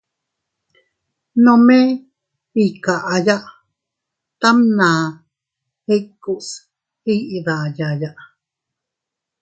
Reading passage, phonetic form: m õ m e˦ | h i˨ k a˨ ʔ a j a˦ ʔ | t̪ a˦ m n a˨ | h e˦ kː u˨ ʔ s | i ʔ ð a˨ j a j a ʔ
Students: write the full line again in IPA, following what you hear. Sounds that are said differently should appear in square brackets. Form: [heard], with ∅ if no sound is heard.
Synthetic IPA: [n] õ m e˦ | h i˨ k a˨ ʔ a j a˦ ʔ | t̪ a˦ m n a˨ | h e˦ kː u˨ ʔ s | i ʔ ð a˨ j a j a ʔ